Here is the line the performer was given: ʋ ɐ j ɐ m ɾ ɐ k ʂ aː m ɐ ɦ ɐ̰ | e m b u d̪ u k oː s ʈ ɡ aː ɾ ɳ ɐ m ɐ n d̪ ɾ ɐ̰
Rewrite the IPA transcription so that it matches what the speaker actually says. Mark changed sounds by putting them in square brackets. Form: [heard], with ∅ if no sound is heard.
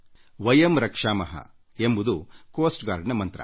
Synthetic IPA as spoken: ʋ ɐ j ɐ m ɾ ɐ k ʂ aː m ɐ ɦ ɐ̰ | e m b u d̪ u k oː s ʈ ɡ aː ɾ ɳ ɐ m ɐ n [t̪] ɾ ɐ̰